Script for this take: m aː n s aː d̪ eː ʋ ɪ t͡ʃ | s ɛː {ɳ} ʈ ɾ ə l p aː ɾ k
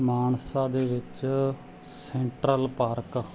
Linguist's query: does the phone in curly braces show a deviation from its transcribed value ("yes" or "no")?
no